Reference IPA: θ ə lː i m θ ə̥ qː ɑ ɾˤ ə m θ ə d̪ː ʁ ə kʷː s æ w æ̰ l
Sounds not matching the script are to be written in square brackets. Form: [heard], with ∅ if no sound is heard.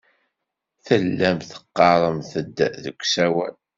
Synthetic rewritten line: θ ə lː [æ] m θ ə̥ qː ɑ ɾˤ ə m θ ə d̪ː [ð] ə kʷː s æ w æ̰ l